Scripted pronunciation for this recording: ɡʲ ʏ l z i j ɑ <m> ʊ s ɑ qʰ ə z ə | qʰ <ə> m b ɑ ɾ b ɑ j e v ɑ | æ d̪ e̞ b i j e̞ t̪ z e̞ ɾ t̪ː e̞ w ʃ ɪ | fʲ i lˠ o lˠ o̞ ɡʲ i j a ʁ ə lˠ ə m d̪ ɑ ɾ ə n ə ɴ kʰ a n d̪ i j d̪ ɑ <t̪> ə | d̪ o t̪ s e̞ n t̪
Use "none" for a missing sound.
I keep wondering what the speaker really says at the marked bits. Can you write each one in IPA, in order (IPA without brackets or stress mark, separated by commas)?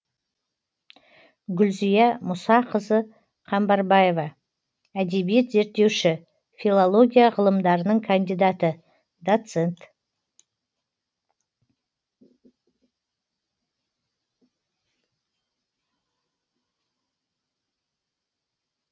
m, ɑ, t̪